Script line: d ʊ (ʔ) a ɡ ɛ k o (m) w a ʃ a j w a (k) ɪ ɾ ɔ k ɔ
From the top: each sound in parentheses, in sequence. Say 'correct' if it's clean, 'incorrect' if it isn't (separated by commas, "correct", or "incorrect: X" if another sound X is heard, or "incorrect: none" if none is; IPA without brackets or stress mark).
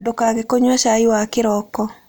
incorrect: k, incorrect: ɲ, correct